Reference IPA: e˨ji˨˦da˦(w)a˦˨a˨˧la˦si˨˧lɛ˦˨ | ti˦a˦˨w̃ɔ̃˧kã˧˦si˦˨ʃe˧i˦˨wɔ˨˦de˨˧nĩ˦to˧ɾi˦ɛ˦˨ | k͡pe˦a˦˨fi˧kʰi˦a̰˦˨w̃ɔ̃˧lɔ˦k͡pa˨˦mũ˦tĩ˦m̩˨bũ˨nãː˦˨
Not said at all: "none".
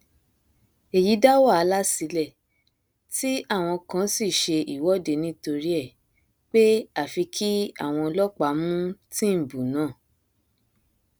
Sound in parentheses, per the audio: w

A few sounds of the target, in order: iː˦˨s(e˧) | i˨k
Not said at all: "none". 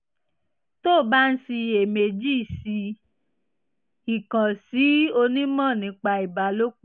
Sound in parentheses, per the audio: i˧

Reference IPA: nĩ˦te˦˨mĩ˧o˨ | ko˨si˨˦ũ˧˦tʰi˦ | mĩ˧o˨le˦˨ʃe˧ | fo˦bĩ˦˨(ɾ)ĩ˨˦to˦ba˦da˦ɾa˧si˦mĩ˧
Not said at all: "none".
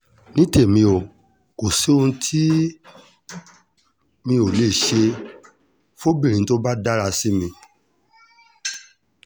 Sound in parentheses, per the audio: ɾ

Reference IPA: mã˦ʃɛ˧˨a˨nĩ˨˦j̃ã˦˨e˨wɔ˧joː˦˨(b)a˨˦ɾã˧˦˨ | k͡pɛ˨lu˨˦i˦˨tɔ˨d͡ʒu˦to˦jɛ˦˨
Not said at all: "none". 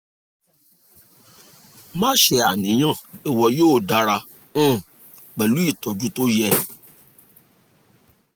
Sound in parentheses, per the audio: d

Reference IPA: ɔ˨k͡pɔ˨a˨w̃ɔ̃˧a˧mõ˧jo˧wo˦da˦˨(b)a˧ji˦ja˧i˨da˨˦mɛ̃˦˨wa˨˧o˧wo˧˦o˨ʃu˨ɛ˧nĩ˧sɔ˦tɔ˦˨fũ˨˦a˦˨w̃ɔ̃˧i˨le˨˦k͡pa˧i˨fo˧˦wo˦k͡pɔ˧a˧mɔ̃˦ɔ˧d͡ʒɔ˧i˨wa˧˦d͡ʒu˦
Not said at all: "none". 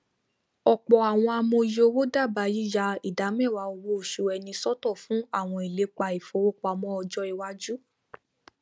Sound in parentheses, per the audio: b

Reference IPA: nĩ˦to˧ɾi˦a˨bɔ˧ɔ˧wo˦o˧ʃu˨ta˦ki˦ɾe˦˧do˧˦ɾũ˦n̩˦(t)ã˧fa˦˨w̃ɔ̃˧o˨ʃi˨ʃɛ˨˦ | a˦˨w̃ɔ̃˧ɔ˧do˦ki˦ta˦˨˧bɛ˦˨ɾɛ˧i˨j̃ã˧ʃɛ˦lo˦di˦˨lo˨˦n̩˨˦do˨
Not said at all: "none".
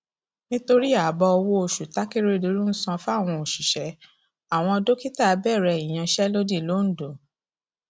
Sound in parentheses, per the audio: s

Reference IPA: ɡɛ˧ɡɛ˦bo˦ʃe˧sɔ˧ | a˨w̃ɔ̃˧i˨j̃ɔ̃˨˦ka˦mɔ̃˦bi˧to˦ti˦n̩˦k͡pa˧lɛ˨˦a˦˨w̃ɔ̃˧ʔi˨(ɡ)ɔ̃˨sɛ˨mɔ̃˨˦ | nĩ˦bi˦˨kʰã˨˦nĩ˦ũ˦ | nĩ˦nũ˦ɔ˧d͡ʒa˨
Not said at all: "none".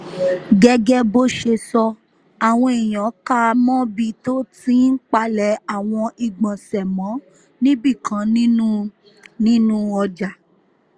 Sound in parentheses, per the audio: ɡ͡b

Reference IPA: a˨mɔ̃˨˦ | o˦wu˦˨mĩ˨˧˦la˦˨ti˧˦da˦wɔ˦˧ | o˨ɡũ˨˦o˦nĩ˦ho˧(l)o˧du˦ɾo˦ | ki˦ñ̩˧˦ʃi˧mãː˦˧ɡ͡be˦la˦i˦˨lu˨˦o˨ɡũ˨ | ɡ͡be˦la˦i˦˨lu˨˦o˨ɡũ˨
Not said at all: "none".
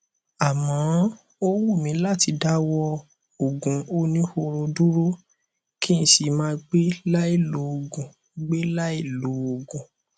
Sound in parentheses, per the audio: ɾ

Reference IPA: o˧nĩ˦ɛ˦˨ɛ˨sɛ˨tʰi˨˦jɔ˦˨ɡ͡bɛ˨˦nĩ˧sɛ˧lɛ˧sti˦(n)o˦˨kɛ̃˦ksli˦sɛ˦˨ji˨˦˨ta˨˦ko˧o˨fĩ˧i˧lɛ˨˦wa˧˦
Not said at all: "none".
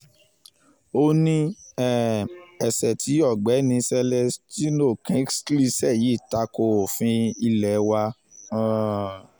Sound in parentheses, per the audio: n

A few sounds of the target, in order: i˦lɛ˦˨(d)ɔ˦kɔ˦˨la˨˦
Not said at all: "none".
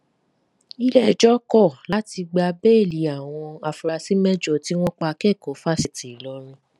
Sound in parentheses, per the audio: d͡ʒ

